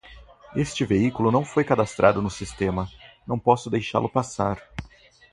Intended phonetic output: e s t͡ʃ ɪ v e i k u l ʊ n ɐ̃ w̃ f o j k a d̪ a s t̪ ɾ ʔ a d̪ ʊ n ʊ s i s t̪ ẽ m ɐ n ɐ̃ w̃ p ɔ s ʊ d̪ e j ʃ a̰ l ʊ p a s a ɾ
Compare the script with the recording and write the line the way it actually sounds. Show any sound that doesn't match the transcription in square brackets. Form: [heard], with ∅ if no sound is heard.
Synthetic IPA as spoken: e s t͡ʃ ɪ v e i k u l ʊ n ɐ̃ w̃ f o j k a d̪ a s t̪ ɾ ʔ a d̪ ʊ n ʊ s i s t̪ ẽ m ɐ n ɐ̃ w̃ p ɔ s ʊ d̪ e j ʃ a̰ l ʊ p a s a ɾ

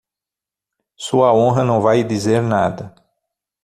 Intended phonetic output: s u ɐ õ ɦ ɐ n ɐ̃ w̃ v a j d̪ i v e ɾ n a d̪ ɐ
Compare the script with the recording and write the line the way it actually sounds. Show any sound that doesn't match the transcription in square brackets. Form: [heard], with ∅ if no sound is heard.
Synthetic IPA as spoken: s u ɐ õ ɦ ɐ n ɐ̃ w̃ v a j d̪ i [z] e ɾ n a d̪ ɐ

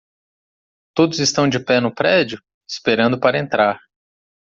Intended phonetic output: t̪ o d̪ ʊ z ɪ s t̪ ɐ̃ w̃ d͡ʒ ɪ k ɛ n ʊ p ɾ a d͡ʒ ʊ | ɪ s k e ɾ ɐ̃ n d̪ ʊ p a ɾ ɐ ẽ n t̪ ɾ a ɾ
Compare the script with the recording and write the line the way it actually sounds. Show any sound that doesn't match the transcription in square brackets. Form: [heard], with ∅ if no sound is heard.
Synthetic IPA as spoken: t̪ o d̪ ʊ z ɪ s t̪ ɐ̃ w̃ d͡ʒ ɪ [p] ɛ n ʊ p ɾ [ɛ] d͡ʒ ʊ | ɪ s [p] e ɾ ɐ̃ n d̪ ʊ p a ɾ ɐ ẽ n t̪ ɾ a ɾ

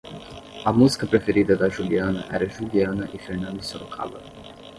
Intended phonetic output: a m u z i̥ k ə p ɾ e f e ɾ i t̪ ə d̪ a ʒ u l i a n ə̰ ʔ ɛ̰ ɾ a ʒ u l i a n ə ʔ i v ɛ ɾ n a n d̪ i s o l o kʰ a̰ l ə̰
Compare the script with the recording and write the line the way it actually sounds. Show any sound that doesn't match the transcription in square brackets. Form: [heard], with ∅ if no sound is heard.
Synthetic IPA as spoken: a m u z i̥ k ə p ɾ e f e ɾ i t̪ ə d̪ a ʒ u l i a n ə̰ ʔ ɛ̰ ɾ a ʒ u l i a n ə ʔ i [f] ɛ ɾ n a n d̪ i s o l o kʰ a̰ l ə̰

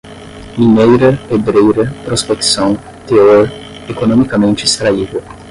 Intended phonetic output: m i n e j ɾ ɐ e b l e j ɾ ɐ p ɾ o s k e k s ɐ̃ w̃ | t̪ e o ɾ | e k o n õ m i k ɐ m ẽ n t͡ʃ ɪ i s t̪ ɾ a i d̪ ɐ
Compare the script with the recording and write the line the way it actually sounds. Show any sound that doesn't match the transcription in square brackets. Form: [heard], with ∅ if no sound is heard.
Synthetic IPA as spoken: m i n e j ɾ ɐ e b [ɾ] e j ɾ ɐ p ɾ o s [p] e k s ɐ̃ w̃ | t̪ e o ɾ | e k o n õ m i k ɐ m ẽ n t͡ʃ ɪ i s t̪ ɾ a i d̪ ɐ

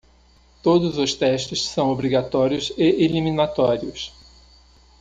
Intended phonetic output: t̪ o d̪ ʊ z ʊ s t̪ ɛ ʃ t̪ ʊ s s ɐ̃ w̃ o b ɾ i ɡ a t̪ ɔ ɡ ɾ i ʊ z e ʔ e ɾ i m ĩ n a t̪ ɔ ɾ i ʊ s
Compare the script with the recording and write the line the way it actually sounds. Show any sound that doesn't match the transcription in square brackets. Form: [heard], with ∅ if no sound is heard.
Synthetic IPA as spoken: t̪ o d̪ ʊ z ʊ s t̪ ɛ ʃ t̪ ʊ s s ɐ̃ w̃ o b ɾ i ɡ a t̪ ɔ [∅] ɾ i ʊ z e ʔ e [l] i m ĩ n a t̪ ɔ ɾ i ʊ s

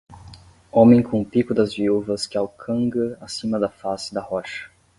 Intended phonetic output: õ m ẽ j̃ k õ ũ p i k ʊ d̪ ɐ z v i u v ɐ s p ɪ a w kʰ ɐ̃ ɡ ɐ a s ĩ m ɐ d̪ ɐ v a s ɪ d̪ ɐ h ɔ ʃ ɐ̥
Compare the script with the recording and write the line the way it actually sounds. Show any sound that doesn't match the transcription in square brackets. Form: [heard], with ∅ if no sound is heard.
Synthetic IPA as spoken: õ m ẽ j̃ k õ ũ p i k ʊ d̪ ɐ z v i u v ɐ s [k] ɪ a w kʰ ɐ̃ ɡ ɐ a s ĩ m ɐ d̪ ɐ [f] a s ɪ d̪ ɐ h ɔ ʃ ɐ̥

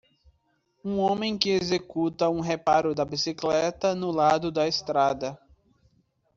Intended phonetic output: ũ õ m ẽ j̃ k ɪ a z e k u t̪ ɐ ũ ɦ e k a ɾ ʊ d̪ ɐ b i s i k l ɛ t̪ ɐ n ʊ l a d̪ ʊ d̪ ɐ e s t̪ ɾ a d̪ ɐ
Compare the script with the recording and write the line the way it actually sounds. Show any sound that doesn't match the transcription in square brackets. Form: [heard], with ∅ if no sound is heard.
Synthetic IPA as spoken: ũ õ m ẽ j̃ k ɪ [e] z e k u t̪ ɐ ũ ɦ e [p] a ɾ ʊ d̪ ɐ b i s i k l ɛ t̪ ɐ n ʊ l a d̪ ʊ d̪ ɐ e s t̪ ɾ a d̪ ɐ

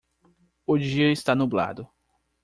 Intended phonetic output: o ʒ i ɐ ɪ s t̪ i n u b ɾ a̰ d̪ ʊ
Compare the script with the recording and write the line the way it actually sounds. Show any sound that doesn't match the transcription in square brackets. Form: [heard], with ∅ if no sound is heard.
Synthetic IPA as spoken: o [d͡ʒ] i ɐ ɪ s t̪ [a] n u b [l] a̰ d̪ ʊ

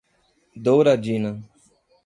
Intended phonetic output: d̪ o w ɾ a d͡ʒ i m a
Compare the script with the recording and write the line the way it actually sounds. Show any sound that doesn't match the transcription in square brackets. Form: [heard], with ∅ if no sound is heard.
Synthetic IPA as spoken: d̪ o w ɾ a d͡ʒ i [n] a

